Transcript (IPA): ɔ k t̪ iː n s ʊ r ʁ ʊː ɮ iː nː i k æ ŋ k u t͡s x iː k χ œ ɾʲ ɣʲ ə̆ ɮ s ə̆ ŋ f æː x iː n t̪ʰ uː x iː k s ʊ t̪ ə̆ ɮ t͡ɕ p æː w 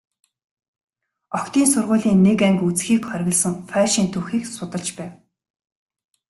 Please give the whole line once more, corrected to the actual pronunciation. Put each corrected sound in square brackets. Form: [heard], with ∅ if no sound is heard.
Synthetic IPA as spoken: ɔ k t̪ iː n s ʊ r ʁ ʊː ɮ iː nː [e] k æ ŋ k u t͡s x iː k χ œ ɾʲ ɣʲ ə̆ ɮ s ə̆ ŋ f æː [ʃ] iː n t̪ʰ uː x iː k s ʊ t̪ ə̆ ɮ t͡ɕ p æː w